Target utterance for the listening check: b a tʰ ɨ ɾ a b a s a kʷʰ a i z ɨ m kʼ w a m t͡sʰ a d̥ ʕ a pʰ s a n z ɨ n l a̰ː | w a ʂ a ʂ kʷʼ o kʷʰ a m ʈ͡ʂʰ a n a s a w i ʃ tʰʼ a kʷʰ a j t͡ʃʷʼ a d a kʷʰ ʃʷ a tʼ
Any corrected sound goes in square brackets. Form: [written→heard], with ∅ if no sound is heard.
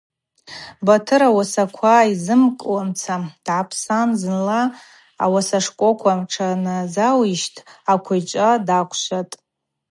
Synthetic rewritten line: b a tʰ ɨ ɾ a [b→w] a s a kʷʰ a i z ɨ m kʼ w a m t͡sʰ a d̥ ʕ a pʰ s a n z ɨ n l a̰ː | w a [ʂ→s] a ʂ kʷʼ o kʷʰ a m ʈ͡ʂʰ a n a [s→z] a w i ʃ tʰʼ a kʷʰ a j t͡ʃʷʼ a d a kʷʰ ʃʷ a tʼ